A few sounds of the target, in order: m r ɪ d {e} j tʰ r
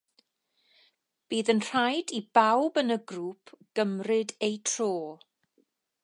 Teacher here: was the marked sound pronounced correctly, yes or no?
yes